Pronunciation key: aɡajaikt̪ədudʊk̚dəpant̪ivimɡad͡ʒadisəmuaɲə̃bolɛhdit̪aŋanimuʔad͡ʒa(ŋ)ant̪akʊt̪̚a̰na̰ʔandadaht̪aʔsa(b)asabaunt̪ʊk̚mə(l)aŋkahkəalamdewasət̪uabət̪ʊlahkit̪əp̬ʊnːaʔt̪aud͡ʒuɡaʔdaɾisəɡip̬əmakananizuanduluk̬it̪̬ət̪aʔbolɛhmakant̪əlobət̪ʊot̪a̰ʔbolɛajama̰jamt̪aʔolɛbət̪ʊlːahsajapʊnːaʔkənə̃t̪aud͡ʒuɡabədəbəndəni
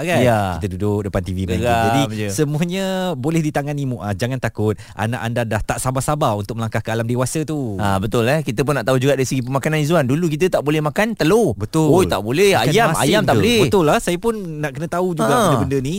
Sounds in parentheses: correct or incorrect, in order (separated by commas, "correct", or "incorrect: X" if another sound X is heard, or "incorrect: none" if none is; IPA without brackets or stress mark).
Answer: correct, correct, correct